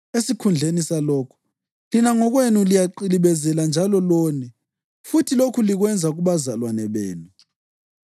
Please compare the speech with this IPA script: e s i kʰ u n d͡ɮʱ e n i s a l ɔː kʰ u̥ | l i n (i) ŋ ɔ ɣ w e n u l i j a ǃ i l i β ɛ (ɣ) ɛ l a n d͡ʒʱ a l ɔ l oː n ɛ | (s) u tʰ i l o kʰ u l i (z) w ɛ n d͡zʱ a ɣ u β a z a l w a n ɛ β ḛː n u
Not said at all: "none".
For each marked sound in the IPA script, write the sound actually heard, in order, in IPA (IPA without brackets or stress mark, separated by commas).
a, z, f, ɣ